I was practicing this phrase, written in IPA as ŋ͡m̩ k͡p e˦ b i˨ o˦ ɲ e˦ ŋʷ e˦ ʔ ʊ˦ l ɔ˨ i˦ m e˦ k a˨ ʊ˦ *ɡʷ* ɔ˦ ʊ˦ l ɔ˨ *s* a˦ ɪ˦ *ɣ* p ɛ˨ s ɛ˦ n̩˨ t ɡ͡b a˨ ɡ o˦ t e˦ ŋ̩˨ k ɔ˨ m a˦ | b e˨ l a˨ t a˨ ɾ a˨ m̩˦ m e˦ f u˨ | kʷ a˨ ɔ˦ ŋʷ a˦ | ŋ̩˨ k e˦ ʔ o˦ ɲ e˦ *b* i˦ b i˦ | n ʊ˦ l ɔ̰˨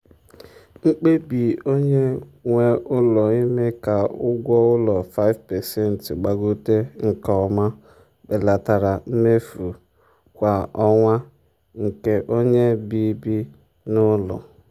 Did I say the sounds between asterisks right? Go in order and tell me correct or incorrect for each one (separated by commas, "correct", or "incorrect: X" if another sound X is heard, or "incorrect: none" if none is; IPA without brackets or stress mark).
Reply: correct, incorrect: f, incorrect: v, correct